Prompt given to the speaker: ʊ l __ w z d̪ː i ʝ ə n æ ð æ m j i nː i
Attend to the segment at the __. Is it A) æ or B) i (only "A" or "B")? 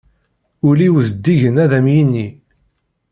B